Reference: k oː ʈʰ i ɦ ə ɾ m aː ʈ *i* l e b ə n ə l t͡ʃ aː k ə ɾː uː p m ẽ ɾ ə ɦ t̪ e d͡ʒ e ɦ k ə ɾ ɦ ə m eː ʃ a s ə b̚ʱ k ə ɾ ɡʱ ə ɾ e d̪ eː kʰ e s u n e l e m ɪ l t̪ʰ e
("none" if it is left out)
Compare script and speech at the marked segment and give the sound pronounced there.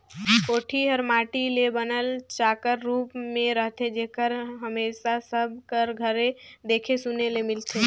i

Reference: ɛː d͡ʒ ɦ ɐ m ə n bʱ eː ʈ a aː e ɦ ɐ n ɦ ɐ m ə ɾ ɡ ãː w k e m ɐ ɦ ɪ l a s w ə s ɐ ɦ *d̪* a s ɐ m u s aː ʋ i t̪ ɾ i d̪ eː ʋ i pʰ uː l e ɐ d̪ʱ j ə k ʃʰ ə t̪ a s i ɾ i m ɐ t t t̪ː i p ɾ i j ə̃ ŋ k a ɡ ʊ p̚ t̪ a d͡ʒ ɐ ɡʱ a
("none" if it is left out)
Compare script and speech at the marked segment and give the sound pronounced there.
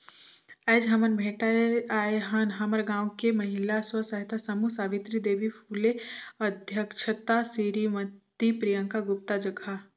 t̪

